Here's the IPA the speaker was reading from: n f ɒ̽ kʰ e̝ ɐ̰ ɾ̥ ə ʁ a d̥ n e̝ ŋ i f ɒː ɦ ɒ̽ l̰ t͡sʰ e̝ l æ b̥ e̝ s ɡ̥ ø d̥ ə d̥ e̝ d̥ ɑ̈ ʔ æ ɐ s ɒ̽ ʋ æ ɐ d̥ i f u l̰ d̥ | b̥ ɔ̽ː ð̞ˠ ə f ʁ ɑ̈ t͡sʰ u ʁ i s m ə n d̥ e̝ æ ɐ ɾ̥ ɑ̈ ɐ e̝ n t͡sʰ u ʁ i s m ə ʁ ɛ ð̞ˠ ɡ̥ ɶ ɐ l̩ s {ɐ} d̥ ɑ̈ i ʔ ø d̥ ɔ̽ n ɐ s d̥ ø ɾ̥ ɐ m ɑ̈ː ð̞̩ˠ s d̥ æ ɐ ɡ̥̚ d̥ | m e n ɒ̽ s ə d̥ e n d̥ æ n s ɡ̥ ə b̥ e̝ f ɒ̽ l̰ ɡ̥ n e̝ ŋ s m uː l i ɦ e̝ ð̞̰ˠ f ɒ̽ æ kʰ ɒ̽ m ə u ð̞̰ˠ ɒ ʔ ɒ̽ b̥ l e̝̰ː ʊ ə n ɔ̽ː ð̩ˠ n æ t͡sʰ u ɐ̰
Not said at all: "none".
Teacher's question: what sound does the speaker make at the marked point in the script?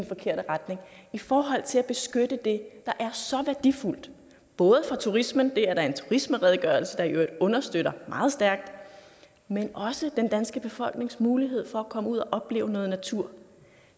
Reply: ə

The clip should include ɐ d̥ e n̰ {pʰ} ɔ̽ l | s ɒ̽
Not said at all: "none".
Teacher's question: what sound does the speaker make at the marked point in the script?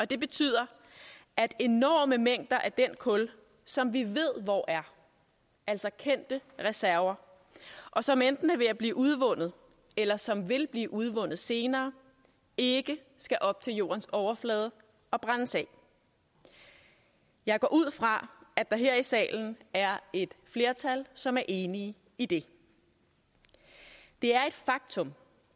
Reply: kʰ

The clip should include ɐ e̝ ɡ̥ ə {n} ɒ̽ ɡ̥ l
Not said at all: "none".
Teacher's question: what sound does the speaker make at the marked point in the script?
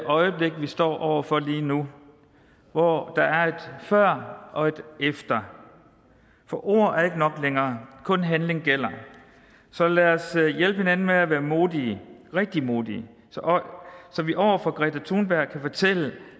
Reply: n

